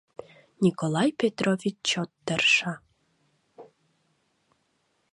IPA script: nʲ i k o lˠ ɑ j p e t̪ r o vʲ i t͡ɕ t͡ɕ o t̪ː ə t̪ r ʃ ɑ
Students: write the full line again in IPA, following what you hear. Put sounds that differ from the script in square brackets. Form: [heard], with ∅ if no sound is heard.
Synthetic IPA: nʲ i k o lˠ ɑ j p e t̪ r o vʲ i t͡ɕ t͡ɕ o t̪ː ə [∅] r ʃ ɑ